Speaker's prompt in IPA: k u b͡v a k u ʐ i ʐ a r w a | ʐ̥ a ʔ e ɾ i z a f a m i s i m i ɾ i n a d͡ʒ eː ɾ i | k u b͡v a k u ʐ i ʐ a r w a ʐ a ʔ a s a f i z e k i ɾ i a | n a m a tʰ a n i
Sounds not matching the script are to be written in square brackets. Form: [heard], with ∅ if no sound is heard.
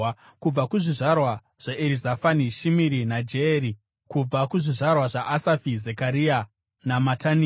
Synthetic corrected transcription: k u b͡v a k u ʐ i ʐ a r w a | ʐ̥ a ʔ e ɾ i z a f a [n] i [ʃ] i m i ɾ i n a d͡ʒ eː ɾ i | k u b͡v a k u ʐ i ʐ a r w a ʐ a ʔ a s a f i z e k [a] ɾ i a | n a m a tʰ a n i